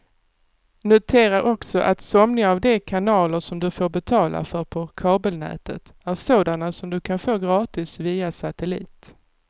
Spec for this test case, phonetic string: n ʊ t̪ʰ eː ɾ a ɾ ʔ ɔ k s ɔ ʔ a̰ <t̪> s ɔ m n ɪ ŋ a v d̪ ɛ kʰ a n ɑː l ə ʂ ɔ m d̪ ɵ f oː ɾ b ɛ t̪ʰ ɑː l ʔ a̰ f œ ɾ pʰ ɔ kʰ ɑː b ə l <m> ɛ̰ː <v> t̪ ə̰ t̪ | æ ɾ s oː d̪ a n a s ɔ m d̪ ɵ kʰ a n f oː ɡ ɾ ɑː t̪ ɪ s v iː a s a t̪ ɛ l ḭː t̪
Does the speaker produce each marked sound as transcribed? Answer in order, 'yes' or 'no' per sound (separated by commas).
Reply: yes, no, no